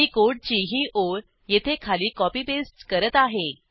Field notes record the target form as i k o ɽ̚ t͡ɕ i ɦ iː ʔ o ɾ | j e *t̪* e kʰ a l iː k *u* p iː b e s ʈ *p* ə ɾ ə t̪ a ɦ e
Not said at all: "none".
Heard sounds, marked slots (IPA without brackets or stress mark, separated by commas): t̪ʰ, ɔ, k